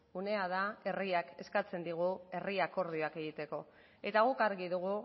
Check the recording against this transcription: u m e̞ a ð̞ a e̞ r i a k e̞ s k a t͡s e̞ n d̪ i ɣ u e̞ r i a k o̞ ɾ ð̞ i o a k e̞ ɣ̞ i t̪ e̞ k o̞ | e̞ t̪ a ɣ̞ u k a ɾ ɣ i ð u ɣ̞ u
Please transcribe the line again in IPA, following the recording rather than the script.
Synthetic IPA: u n e̞ a ð̞ a e̞ r i a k e̞ s k a t͡s e̞ n d̪ i ɣ u e̞ r i a k o̞ ɾ ð̞ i o a k e̞ ɣ̞ i t̪ e̞ k o̞ | e̞ t̪ a ɣ̞ u k a ɾ ɣ i ð u ɣ̞ u

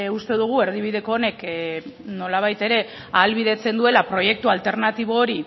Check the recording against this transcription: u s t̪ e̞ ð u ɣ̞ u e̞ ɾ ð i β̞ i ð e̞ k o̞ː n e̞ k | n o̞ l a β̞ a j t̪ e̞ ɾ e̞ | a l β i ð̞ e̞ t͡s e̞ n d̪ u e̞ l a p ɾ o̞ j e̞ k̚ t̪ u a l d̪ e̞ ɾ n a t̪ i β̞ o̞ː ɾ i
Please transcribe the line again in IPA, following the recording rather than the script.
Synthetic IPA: u s t̪ e̞ ð u ɣ̞ u e̞ ɾ ð i β̞ i ð e̞ k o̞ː n e̞ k | n o̞ l a β̞ a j t̪ e̞ ɾ e̞ | a l β i ð̞ e̞ t͡s e̞ n d̪ u e̞ l a p ɾ o̞ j e̞ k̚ t̪ u a l t̪ e̞ ɾ n a t̪ i β̞ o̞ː ɾ i

